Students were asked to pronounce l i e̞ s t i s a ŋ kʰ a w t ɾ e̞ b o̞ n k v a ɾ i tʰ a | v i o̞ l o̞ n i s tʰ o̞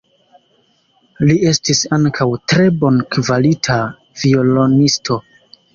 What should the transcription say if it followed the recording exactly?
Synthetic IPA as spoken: l i e̞ s t i s a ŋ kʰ a w t ɾ e̞ b o̞ n k v a l i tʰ a | v i o̞ l o̞ n i s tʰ o̞